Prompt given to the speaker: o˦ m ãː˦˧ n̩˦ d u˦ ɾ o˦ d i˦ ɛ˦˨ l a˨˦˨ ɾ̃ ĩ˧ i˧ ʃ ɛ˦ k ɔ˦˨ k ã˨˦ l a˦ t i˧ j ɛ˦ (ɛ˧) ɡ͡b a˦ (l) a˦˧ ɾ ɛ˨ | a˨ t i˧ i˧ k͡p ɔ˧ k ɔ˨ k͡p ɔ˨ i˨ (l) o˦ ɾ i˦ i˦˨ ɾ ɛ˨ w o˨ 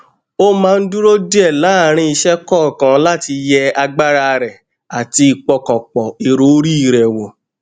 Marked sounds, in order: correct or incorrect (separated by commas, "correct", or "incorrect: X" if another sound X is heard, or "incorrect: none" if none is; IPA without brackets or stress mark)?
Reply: incorrect: a˧, incorrect: ɾ, incorrect: ɾ